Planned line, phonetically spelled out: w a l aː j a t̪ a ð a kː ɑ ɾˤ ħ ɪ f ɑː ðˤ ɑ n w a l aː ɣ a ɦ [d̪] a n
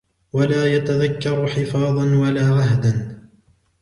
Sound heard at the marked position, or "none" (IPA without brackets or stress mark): d̪